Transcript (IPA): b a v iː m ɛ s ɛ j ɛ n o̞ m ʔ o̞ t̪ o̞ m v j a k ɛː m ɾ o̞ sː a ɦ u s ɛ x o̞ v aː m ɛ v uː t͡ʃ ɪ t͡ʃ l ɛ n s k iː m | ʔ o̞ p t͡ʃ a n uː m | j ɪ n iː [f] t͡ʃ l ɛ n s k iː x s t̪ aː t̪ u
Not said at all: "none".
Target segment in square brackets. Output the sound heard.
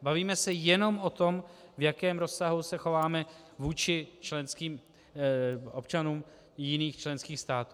x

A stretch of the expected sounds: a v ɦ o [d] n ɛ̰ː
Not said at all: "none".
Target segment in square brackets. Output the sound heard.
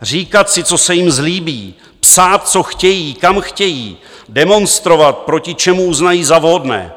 d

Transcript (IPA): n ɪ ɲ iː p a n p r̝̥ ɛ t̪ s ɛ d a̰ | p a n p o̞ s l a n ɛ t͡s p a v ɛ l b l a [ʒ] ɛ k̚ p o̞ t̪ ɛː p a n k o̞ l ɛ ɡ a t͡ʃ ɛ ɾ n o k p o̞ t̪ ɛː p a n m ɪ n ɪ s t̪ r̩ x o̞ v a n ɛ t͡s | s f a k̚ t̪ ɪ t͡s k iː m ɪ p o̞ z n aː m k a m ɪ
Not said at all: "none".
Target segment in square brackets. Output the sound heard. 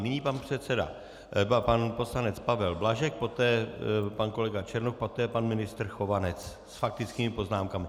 ʒ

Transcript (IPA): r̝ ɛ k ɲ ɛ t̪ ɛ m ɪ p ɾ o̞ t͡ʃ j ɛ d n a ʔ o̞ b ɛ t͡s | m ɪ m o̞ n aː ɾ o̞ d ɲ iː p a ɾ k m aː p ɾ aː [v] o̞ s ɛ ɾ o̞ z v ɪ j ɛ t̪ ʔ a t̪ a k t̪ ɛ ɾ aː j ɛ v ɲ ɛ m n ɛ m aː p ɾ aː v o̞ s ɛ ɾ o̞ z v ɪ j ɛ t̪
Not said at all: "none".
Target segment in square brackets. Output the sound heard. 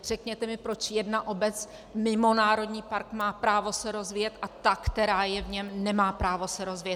v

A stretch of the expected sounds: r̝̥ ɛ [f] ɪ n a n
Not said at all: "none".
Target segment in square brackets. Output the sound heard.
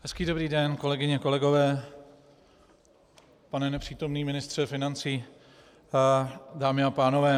f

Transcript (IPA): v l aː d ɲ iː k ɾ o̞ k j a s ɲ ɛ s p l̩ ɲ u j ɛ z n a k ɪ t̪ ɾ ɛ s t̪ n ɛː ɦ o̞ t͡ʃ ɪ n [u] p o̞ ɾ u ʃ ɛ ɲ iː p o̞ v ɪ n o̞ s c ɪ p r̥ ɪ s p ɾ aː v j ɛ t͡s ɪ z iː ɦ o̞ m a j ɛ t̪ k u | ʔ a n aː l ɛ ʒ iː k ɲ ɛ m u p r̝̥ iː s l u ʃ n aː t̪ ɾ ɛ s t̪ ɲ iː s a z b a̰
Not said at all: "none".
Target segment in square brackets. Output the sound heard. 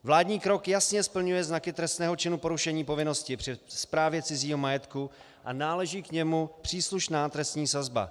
u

